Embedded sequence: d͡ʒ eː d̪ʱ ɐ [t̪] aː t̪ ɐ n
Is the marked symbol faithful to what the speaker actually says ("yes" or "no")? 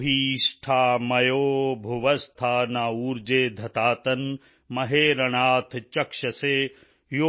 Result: yes